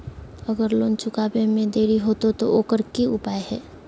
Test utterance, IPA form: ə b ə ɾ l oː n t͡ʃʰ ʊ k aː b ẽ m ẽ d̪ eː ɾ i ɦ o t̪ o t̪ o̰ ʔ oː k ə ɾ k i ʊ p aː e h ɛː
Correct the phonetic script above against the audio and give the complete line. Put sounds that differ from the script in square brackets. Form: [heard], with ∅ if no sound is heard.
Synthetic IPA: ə [ɡ] ə ɾ l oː n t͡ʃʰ ʊ k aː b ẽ m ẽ d̪ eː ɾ i ɦ o t̪ o t̪ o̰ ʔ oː k ə ɾ k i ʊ p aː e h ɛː